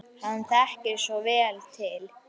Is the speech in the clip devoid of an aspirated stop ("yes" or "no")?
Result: no